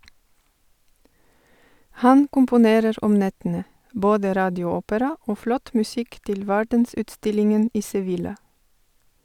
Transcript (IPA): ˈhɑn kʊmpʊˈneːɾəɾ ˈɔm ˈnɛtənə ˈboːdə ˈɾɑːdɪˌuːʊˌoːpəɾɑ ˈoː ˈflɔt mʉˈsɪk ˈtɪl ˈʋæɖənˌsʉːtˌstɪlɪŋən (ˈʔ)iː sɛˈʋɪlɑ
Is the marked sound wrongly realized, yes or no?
no